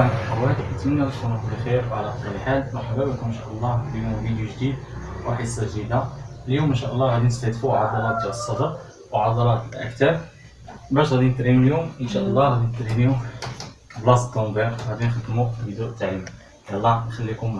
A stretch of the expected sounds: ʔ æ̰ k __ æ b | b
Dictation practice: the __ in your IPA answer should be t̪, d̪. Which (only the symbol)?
t̪